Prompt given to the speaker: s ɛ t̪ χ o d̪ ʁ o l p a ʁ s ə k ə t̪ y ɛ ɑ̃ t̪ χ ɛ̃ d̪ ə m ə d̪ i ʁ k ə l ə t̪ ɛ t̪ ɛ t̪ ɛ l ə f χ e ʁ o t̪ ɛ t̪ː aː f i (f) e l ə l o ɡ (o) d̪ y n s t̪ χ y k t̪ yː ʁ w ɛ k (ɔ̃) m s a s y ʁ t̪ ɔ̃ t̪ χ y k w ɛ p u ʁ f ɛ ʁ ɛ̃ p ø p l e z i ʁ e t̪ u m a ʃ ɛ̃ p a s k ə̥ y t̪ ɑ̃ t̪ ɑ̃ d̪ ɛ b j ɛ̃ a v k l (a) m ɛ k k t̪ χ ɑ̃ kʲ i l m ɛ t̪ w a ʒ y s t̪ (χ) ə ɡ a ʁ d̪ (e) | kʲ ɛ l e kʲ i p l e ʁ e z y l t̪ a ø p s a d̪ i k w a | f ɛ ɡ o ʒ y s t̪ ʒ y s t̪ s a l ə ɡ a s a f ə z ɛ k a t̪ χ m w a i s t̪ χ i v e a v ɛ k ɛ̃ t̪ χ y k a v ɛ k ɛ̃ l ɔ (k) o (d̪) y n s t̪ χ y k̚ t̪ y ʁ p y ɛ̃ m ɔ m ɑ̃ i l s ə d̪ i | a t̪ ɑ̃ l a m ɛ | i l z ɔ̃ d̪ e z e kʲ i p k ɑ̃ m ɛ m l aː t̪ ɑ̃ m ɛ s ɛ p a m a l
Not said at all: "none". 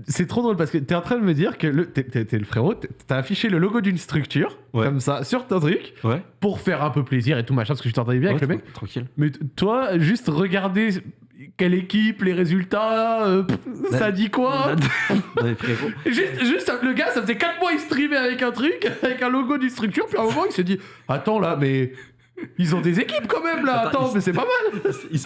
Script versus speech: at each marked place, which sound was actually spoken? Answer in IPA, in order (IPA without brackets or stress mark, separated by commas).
ʃ, o, ɔ, ə, ʁ, e, ɡ, d̪